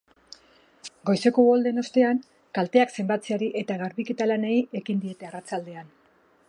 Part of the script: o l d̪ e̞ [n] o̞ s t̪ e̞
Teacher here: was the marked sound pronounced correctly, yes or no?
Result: yes